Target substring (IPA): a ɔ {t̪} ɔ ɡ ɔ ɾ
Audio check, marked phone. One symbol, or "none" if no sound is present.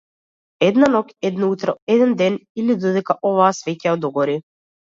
d̪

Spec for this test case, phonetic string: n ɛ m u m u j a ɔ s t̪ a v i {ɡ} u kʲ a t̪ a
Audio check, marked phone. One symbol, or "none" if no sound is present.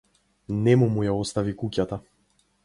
k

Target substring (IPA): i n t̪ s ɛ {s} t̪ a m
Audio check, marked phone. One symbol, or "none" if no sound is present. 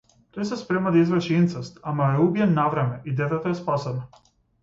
s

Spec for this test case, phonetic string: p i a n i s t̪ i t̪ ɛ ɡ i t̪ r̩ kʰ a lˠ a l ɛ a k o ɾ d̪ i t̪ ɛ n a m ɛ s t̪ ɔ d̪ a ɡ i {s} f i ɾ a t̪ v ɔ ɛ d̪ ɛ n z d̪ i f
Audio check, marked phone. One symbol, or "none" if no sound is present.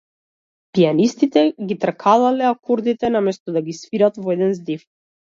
s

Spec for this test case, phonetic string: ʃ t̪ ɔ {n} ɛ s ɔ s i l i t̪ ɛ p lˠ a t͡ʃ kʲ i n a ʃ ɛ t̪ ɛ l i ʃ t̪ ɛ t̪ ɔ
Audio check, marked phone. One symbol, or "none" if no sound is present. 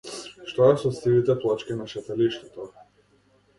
none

